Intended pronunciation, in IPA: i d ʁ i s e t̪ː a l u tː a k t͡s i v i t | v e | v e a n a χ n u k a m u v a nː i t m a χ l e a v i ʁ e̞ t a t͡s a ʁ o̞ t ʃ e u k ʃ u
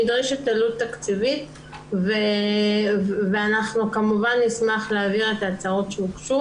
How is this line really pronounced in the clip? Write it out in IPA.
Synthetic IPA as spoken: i d ʁ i ʃ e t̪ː a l u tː a k t͡s i v i t | v e | v e a n a χ n u k a m u v a nː i s m a χ l e a v i ʁ e̞ t a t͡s a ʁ o̞ t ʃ e u k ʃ u